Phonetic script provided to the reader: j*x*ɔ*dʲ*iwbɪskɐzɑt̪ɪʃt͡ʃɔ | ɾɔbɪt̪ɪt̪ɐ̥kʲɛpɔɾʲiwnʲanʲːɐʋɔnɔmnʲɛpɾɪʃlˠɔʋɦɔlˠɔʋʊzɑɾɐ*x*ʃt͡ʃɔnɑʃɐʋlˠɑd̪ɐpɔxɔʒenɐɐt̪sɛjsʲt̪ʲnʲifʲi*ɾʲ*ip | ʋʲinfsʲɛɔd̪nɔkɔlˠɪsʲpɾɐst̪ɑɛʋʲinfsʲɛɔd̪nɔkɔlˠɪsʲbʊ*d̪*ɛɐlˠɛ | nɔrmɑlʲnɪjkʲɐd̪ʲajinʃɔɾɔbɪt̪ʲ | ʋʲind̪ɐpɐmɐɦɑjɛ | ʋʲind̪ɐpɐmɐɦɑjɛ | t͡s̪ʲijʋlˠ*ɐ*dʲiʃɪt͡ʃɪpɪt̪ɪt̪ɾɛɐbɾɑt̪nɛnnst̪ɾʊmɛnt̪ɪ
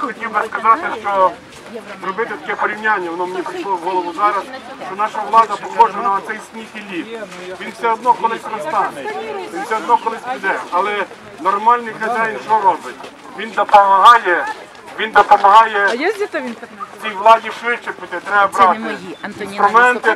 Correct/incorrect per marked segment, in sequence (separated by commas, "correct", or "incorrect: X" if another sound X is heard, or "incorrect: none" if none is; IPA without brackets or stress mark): correct, incorrect: tʲ, incorrect: s, incorrect: lʲ, correct, incorrect: ɑ